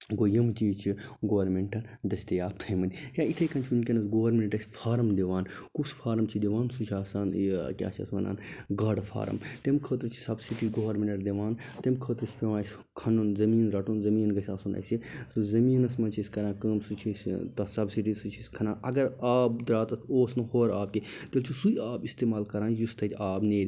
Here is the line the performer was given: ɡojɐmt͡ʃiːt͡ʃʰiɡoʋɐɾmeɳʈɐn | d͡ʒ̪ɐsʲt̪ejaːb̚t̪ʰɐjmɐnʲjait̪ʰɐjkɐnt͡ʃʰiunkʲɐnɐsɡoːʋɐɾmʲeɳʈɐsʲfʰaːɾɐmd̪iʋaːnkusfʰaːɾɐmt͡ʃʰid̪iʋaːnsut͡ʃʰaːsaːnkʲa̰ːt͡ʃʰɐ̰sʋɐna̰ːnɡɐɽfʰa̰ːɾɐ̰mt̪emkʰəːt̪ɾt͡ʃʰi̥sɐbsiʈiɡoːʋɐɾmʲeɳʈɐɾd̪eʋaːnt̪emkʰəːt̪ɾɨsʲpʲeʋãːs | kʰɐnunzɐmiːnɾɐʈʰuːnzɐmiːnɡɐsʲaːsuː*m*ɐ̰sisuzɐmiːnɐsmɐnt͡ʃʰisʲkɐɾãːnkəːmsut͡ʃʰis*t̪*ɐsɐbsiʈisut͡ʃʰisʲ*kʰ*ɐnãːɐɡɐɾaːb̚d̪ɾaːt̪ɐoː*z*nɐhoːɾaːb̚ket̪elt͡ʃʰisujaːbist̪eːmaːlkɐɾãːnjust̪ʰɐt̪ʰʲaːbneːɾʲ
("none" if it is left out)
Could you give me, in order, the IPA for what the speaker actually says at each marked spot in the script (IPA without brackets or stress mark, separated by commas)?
n, t̪, kʰ, s